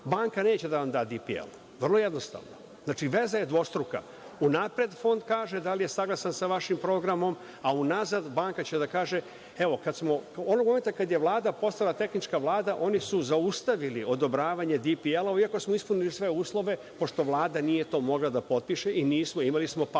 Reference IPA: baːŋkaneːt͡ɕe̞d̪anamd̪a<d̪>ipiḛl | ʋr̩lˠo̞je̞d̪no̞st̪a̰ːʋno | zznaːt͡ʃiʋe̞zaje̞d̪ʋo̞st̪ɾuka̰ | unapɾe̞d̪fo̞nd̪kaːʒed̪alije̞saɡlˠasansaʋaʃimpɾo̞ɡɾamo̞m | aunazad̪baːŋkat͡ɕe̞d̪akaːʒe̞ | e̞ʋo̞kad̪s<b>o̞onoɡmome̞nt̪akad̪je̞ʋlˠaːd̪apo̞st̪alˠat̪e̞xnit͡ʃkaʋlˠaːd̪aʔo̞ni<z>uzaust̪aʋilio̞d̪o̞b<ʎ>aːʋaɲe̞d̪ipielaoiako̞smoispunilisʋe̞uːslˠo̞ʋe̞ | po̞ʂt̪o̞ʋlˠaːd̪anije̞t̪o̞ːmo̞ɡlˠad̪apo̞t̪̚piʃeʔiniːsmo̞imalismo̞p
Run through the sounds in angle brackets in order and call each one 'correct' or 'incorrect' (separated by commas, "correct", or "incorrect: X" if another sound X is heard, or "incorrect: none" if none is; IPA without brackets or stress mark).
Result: correct, incorrect: m, incorrect: s, incorrect: ɾ